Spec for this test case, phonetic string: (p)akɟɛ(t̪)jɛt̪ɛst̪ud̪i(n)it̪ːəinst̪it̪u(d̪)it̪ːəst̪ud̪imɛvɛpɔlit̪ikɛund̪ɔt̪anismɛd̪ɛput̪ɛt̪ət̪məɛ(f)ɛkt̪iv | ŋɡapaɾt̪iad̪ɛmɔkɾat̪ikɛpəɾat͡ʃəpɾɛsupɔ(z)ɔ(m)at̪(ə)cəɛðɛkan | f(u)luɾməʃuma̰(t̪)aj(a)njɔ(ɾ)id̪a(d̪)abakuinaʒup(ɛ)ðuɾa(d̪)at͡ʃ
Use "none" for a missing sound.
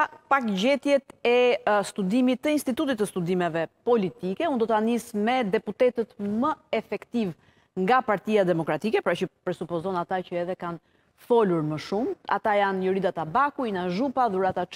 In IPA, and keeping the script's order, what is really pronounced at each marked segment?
p, t̪, m, t̪, f, z, n, a, ɔ, t̪, a, ɾ, t̪, a, t̪

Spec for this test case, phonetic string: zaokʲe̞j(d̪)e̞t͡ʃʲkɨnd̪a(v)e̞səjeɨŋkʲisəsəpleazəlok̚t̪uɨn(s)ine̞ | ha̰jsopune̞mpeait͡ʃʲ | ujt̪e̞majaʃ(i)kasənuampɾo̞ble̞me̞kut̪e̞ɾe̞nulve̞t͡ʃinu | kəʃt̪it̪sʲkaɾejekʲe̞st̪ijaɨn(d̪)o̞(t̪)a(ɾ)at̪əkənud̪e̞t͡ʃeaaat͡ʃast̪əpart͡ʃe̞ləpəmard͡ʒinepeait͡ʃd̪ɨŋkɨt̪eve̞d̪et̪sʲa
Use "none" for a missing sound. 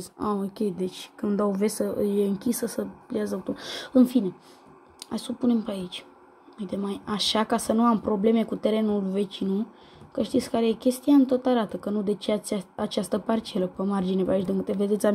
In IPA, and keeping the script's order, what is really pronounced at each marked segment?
d̪, v, f, a, t̪, t̪, ɾ

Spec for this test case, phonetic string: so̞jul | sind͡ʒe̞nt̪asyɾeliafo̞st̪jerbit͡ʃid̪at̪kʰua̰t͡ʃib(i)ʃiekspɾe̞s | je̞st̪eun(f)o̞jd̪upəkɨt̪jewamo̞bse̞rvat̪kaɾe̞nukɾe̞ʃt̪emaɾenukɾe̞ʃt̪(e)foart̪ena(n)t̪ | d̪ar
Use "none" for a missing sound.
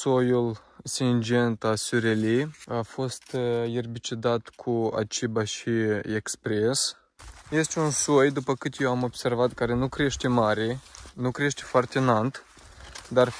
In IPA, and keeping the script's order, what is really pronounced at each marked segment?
a, s, e, n

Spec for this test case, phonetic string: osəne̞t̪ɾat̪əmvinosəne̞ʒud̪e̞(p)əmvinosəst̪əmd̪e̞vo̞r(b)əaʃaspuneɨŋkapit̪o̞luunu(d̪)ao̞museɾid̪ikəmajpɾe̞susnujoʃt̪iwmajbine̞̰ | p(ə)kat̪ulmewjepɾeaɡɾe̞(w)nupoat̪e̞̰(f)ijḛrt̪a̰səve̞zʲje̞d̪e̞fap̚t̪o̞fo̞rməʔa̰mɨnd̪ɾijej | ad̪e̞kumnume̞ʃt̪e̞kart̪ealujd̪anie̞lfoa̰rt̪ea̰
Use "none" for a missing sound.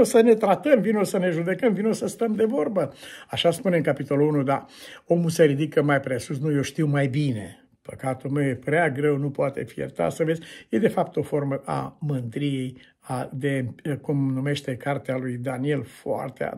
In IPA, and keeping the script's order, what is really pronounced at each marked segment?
k, b, d̪, ə, w, f

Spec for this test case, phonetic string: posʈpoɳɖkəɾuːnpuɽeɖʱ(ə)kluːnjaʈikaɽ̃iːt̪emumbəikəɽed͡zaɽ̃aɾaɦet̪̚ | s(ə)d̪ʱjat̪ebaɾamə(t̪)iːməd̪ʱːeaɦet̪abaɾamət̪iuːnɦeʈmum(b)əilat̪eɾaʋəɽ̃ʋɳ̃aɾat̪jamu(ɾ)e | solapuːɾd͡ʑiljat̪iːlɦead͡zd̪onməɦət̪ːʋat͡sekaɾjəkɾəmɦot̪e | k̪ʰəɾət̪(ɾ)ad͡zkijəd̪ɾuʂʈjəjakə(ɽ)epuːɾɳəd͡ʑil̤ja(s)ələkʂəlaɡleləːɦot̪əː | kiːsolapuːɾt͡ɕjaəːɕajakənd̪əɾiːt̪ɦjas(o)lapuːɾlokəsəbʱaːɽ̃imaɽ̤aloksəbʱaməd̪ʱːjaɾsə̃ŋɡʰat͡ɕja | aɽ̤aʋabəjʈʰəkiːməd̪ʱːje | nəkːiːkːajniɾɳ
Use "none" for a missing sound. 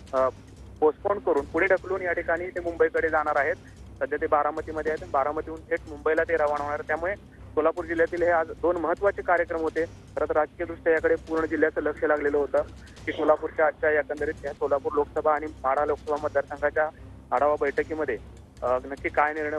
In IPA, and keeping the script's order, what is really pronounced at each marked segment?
ə, ə, t̪, b, ɭ, ɾ, ɽ, t͡s, o

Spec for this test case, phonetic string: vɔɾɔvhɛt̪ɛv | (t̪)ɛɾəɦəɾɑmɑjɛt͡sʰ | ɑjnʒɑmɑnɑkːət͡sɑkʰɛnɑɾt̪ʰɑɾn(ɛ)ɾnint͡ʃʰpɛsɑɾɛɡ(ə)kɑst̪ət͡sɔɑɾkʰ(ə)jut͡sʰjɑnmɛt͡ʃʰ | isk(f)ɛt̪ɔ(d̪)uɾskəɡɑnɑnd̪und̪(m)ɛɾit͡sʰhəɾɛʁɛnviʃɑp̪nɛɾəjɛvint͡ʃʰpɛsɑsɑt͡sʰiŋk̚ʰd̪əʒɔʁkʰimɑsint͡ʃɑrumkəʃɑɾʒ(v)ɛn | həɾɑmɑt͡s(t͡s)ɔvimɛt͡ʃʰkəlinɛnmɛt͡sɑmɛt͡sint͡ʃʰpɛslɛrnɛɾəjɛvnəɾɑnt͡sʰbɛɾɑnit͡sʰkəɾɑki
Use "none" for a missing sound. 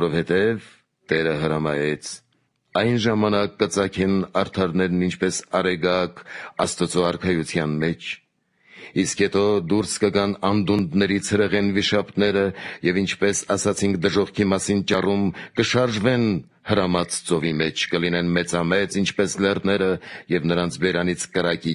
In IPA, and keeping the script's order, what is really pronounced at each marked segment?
t̪, ɛ, ɑ, ɑ, h, d̪, n, v, t͡s

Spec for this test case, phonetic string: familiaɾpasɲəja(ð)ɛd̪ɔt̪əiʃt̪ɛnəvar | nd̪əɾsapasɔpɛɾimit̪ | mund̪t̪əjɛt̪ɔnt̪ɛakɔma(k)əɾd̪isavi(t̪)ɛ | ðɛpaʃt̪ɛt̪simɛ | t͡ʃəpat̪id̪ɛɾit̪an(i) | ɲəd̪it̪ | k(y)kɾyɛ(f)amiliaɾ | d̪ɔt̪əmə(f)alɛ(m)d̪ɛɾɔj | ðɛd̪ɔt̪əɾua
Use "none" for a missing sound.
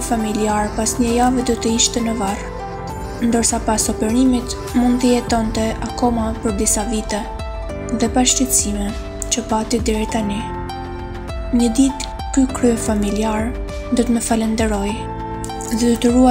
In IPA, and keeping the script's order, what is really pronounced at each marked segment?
v, p, t̪, i, y, f, f, n

